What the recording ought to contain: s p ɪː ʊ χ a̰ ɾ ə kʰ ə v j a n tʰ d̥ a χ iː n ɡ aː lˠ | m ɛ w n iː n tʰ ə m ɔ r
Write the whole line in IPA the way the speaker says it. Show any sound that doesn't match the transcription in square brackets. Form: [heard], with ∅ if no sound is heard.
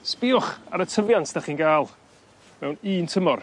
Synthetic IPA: s p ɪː ʊ χ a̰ ɾ ə [tʰ] ə v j a n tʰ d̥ a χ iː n ɡ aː lˠ | m ɛ w n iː n tʰ ə m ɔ r

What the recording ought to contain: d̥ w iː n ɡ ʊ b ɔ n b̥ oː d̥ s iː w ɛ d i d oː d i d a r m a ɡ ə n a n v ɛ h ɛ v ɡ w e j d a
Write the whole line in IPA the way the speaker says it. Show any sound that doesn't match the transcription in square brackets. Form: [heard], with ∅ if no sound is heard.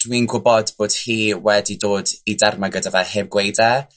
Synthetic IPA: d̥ w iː n ɡ ʊ b ɔ [d] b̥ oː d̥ [h] iː w ɛ d i d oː d i d a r m a ɡ ə [d] a [∅] v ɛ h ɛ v ɡ w e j d a

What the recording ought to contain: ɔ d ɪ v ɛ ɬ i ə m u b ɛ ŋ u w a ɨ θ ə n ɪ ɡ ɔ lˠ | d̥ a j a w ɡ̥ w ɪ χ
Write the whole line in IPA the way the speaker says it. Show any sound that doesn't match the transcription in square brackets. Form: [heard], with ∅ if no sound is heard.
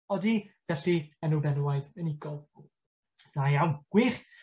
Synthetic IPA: ɔ d [i] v ɛ ɬ i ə [n] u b ɛ [n] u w a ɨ [ð] ə n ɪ ɡ ɔ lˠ | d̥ a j a w ɡ̥ w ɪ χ

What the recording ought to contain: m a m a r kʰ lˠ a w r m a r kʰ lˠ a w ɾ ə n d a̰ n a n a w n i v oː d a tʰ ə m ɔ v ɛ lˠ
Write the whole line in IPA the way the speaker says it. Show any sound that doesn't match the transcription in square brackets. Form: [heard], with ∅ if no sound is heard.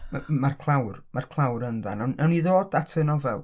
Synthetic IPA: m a m a r kʰ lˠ a w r m a r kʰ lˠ a w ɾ ə n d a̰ n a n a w n i [ð] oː d a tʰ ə [n] ɔ v ɛ lˠ

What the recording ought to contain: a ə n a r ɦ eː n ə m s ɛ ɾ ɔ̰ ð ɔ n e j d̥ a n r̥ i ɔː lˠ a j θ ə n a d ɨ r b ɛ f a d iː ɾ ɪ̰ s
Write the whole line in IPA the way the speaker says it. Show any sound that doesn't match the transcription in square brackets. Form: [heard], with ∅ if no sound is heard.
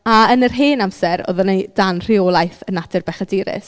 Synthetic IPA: a ə n [ə] r ɦ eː n [a] m s ɛ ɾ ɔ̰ ð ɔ n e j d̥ a n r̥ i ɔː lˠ a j θ ə n a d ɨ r b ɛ [χ] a d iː ɾ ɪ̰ s

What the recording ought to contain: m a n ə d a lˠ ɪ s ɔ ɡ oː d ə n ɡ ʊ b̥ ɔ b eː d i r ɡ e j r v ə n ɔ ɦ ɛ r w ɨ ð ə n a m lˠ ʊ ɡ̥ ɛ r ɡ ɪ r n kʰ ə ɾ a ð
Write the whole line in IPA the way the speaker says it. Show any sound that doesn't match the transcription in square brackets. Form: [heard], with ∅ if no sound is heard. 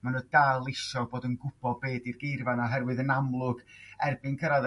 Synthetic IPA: m a n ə d a lˠ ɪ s ɔ [b] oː d ə n ɡ ʊ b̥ ɔ b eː d i r ɡ e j r v [a] n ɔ ɦ ɛ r w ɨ ð ə n a m lˠ ʊ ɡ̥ ɛ r [b] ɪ [∅] n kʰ ə ɾ a ð

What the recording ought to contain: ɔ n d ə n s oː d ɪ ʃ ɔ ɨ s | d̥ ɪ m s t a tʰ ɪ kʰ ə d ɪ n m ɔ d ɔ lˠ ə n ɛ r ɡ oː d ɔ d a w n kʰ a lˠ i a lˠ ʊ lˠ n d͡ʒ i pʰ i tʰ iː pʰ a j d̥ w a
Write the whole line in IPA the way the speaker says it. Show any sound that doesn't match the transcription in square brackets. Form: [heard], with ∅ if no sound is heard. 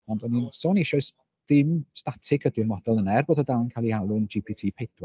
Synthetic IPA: ɔ n d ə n s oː [n] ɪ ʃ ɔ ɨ s | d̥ ɪ m s t a tʰ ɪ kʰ ə d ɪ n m ɔ d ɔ lˠ ə n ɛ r [b] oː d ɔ d a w n kʰ a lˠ i a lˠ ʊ [∅] n d͡ʒ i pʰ i tʰ iː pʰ [e] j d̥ w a

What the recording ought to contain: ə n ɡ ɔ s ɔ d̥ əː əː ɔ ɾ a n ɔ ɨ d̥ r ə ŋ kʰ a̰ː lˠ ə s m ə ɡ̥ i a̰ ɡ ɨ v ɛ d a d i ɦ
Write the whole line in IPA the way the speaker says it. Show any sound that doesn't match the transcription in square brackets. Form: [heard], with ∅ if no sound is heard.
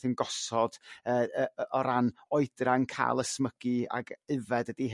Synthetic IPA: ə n ɡ ɔ s ɔ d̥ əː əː ɔ ɾ a n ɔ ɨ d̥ r [a] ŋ kʰ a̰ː lˠ ə s m ə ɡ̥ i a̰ ɡ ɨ v ɛ d [ə] d i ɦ

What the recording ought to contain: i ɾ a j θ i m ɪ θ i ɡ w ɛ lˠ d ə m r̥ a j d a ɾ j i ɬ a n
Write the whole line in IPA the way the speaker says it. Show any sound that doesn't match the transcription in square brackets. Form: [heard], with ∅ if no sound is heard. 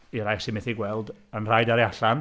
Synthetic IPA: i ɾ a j [s] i m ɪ θ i ɡ w ɛ lˠ d ə [n] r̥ a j d a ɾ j [a] ɬ a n

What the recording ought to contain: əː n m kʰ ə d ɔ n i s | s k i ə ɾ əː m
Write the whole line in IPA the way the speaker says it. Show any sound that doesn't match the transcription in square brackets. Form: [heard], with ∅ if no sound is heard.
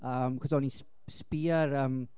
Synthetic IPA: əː [∅] m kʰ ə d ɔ n i s | s [p] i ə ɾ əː m

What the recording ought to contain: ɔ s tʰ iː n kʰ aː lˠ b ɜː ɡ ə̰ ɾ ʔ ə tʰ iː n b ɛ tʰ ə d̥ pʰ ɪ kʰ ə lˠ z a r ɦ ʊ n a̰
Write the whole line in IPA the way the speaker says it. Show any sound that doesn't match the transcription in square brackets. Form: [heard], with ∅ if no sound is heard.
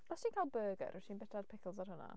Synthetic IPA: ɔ s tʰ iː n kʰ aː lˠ b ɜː ɡ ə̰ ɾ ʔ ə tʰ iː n b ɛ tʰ [a] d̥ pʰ ɪ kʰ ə lˠ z a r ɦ ʊ n a̰

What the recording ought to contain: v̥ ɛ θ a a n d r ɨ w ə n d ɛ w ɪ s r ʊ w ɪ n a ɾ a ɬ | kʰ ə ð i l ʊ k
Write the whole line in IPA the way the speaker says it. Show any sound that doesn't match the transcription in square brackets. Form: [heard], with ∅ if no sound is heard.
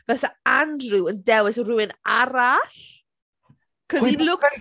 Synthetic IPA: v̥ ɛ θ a a n d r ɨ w ə n d ɛ w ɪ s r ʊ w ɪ n a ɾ a ɬ | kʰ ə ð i l ʊ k

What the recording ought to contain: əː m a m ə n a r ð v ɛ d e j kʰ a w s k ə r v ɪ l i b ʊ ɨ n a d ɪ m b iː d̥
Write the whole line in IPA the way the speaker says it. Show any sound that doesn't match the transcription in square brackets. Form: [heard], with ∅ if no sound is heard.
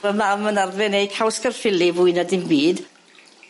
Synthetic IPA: [ə] m a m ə n a r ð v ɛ [n] e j kʰ a w s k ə r [f] ɪ l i [v] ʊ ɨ n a d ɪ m b iː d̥

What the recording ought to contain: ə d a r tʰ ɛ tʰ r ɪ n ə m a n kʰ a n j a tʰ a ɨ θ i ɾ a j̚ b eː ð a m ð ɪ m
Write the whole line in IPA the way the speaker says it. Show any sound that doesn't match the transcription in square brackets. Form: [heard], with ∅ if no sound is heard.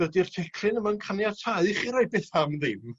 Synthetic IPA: ə d [i] r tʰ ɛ [kʰ] r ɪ n ə m a n kʰ a n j a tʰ a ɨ [χ] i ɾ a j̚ b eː [θ] a m ð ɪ m

